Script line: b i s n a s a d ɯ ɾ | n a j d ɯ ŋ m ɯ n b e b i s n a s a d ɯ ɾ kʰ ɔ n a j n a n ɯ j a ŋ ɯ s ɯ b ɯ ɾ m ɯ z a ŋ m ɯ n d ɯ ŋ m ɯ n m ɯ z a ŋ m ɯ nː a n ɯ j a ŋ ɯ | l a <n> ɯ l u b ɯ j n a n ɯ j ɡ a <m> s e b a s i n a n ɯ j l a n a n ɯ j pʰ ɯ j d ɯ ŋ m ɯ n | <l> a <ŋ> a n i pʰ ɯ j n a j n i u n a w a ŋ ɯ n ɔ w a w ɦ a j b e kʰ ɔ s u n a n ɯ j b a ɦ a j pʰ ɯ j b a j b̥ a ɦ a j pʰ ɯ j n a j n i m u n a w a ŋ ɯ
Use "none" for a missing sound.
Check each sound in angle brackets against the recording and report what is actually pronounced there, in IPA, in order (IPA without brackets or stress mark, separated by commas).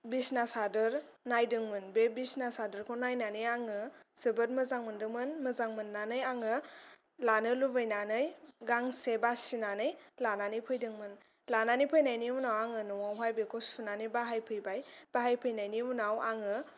n, ŋ, l, n